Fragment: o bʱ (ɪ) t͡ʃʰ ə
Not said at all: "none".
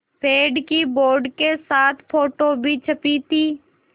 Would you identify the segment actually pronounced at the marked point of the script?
i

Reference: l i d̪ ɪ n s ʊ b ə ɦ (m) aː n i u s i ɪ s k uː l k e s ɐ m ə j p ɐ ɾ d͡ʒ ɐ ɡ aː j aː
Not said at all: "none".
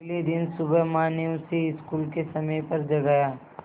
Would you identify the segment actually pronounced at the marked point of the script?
m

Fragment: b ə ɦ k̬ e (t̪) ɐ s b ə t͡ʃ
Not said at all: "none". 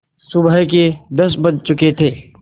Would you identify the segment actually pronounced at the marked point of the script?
d̪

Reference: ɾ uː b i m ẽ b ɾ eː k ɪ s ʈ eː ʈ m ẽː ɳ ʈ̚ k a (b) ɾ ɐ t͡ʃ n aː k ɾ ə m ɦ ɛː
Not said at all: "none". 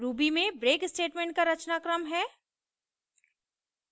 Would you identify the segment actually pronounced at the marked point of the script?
none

